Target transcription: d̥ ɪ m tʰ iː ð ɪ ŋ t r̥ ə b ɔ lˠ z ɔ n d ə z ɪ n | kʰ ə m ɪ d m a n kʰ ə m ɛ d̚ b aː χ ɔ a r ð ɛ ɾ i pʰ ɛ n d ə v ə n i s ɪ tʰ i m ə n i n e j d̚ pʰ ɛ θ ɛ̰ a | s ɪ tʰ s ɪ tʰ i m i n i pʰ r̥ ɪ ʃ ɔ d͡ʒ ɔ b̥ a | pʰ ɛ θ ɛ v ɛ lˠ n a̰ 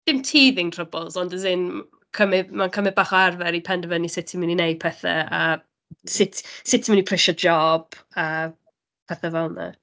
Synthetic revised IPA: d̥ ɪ m tʰ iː ð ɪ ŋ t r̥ ə b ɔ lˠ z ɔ n d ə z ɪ n | kʰ ə m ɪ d m a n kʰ ə m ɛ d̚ b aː χ ɔ a r v ɛ ɾ i pʰ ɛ n d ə v ə n i s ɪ tʰ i m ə n i n e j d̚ pʰ ɛ θ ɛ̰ a | s ɪ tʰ s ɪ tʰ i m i n i pʰ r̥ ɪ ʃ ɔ d͡ʒ ɔ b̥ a | pʰ ɛ θ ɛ v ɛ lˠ n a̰